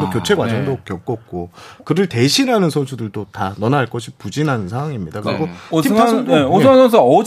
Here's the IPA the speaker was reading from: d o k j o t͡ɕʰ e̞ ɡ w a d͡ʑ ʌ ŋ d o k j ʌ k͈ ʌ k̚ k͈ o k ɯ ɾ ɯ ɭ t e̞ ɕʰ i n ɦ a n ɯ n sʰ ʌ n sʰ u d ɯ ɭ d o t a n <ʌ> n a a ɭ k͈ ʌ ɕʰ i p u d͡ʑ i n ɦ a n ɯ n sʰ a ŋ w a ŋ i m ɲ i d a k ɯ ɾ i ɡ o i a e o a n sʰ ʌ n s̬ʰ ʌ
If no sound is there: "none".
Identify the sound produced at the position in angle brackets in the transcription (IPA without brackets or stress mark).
ʌ